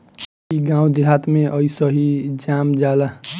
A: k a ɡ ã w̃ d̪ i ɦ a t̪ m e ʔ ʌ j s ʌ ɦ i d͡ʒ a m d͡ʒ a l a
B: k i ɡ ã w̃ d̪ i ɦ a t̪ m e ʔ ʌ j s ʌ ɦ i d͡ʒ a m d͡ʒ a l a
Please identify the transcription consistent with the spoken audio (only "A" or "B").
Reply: B